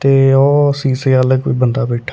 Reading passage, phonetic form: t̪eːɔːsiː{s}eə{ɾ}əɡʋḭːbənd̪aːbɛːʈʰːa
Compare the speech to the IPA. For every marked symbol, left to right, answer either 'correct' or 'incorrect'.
correct, incorrect: l

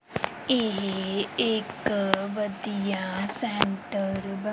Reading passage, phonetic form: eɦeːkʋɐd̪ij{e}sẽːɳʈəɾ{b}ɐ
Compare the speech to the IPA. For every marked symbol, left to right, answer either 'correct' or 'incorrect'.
incorrect: a, correct

